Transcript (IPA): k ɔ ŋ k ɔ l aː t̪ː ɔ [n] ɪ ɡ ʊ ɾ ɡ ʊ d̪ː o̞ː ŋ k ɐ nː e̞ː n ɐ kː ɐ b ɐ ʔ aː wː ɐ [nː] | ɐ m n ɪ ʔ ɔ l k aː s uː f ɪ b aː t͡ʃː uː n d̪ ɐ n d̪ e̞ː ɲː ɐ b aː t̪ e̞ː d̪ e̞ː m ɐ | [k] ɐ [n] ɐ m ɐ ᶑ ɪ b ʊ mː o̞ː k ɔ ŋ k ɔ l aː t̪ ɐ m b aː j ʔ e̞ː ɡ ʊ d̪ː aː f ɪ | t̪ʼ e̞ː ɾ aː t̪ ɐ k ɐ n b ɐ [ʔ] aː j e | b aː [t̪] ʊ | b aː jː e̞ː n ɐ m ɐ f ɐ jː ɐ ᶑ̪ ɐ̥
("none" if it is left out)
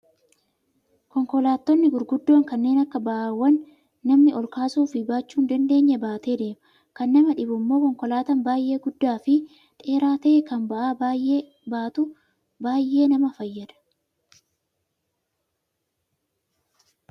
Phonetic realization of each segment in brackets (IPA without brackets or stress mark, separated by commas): nː, nː, k, nː, ʔ, t̪